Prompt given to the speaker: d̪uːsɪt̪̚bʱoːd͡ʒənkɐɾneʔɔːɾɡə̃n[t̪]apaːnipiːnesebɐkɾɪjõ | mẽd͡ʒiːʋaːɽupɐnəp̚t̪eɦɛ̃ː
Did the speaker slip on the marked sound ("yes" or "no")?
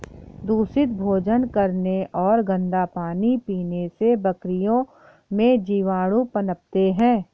yes